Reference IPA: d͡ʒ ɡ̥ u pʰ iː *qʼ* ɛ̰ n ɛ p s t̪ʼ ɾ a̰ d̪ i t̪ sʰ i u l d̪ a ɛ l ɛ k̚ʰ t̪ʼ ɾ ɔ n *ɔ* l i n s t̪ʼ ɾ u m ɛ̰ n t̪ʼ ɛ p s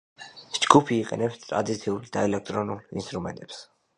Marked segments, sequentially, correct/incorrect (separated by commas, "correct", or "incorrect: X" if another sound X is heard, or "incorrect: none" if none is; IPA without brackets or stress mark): correct, incorrect: u